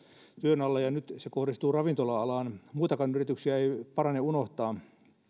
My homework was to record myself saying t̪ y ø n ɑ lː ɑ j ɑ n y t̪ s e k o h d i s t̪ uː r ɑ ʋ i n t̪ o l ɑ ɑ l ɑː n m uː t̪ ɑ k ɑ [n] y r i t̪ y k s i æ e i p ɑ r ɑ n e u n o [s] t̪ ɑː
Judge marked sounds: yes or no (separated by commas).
yes, no